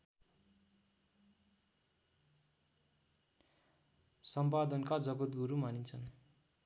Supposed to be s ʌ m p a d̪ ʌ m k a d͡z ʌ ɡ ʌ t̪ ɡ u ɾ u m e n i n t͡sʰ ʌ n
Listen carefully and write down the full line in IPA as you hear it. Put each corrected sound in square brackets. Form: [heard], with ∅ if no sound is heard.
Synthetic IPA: s ʌ m p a d̪ ʌ [n] k a d͡z ʌ ɡ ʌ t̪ ɡ u ɾ u m [a] n i n t͡sʰ ʌ n